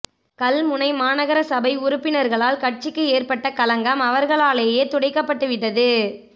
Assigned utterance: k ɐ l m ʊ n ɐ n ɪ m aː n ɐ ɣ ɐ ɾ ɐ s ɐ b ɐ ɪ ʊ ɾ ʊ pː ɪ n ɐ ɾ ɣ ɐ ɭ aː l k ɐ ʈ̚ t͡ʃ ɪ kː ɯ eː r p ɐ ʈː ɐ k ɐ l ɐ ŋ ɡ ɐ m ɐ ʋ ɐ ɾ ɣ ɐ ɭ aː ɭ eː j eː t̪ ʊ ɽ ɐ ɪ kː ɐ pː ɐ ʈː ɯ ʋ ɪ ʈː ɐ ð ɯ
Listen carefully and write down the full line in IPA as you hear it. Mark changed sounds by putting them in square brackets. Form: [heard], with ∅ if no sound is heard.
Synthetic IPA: k ɐ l m ʊ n ɐ [∅] ɪ m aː n ɐ ɣ ɐ ɾ ɐ s ɐ b ɐ ɪ ʊ ɾ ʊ pː ɪ n ɐ ɾ ɣ ɐ ɭ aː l k ɐ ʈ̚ t͡ʃ ɪ kː ɯ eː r p ɐ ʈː ɐ k ɐ l ɐ ŋ ɡ ɐ m ɐ ʋ ɐ ɾ ɣ ɐ ɭ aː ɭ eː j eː t̪ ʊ ɽ ɐ ɪ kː ɐ pː ɐ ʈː ɯ ʋ ɪ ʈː ɐ ð ɯ